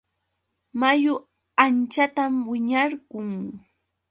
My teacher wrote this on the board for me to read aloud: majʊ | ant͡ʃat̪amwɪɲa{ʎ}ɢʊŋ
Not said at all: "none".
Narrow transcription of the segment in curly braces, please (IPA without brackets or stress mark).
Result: ɾ